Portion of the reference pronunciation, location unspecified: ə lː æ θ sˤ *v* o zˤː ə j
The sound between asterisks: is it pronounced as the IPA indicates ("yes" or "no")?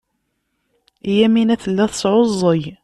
no